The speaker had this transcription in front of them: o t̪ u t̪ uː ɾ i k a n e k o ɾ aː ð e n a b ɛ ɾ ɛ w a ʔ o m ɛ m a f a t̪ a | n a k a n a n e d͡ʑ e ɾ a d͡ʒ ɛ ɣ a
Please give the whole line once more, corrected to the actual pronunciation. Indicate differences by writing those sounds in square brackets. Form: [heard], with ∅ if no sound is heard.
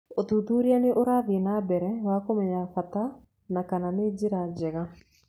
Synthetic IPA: o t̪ u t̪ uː ɾ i [∅] a n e [ʔ] o ɾ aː ð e n a b ɛ ɾ ɛ w a [k] o m ɛ [ɲ] a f a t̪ a | n a k a n a n e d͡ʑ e ɾ a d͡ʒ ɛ ɣ a